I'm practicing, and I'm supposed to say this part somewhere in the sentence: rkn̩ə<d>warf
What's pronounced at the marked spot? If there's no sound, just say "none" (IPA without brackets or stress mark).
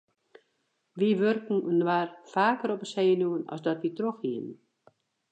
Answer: n